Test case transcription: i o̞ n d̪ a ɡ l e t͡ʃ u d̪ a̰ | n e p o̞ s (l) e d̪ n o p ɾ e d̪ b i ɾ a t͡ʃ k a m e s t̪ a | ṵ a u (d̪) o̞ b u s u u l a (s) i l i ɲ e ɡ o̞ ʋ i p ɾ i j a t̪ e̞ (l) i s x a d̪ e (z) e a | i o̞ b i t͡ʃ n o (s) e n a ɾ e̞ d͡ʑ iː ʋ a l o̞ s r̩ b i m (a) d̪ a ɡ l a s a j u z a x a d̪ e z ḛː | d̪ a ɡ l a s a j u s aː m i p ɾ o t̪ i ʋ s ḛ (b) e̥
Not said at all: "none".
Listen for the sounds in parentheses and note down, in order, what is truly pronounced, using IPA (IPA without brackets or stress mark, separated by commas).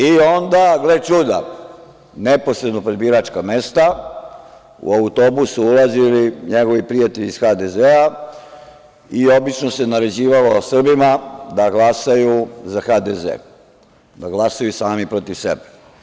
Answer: ɾ, t̪, z, ʎ, z, s, a, b